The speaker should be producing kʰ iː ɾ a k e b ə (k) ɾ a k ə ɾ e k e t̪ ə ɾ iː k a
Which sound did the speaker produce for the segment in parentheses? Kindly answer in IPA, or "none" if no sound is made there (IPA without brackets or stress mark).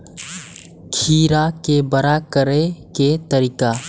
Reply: none